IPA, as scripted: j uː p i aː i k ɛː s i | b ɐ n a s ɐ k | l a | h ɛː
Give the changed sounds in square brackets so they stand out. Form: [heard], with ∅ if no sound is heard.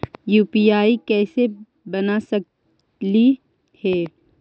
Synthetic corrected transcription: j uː p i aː i k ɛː s [e] | b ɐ n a s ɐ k | l [i] | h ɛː